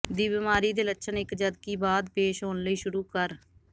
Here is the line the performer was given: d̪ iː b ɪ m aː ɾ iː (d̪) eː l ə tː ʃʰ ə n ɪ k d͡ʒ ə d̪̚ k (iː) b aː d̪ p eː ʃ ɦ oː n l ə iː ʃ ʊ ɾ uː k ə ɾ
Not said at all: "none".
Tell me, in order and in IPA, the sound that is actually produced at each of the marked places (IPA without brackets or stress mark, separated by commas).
d̪, iː